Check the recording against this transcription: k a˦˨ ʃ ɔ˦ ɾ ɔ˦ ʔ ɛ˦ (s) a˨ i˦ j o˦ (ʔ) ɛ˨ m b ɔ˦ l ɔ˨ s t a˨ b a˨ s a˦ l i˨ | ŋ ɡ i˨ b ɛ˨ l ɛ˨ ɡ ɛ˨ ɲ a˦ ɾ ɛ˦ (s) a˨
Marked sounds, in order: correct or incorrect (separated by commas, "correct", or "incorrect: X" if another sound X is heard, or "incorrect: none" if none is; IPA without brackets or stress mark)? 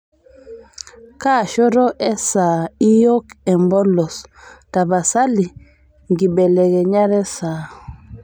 correct, incorrect: k, correct